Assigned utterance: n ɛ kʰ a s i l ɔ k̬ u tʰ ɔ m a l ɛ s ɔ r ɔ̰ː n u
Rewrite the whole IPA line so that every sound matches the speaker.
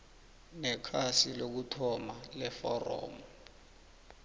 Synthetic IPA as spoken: n ɛ kʰ a s i l o k̬ u tʰ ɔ m a l ɛ f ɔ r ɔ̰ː m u